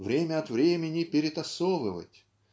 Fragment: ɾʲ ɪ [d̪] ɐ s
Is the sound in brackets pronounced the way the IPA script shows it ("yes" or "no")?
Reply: no